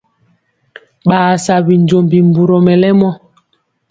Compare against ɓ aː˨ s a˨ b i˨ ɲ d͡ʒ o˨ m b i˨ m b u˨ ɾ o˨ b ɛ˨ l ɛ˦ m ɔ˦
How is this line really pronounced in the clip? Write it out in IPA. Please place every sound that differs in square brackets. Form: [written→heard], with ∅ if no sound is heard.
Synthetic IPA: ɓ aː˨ s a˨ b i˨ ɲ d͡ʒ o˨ m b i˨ m b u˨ ɾ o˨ [b→m] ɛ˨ l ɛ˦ m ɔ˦